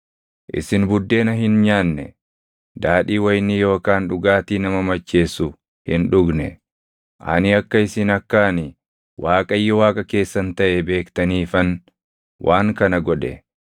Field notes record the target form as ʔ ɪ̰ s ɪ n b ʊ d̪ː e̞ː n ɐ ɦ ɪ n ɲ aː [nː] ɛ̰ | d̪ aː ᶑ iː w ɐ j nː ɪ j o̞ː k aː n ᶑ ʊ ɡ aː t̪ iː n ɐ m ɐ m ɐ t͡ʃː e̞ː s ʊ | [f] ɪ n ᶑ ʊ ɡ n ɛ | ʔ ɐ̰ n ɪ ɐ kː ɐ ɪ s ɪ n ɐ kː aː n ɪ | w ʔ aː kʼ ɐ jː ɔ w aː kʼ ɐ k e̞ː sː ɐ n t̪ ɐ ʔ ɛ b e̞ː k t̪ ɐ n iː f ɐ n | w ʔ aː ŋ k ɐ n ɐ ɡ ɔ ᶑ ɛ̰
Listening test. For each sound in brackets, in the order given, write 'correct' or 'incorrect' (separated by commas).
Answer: correct, incorrect